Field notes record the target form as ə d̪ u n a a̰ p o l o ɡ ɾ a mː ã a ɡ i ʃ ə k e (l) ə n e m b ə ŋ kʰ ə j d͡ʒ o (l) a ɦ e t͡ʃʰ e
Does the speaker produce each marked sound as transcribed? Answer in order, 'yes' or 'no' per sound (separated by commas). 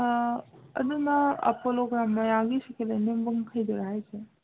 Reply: yes, no